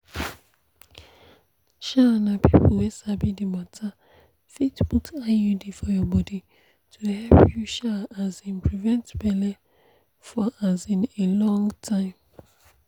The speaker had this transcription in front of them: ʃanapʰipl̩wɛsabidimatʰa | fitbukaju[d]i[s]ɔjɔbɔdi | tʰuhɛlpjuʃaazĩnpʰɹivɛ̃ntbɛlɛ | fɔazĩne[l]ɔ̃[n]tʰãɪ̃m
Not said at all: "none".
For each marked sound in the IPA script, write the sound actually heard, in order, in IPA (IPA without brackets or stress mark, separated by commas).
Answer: d, f, l, ŋ